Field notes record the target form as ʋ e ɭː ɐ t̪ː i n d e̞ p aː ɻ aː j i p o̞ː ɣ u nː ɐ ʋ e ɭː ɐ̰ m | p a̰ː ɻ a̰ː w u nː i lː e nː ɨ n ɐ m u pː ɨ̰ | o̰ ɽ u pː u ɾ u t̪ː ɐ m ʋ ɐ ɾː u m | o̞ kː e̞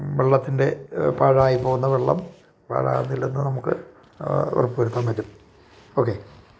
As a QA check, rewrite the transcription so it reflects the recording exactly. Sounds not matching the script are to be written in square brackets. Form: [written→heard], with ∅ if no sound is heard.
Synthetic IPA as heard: ʋ e ɭː ɐ t̪ː i n d e̞ p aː ɻ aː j i p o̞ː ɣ u nː ɐ ʋ e ɭː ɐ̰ m | p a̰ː ɻ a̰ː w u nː i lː e nː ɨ n ɐ m u [pː→kː] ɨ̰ | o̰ [ɽ→r] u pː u ɾ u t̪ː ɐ m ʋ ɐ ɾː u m | o̞ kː e̞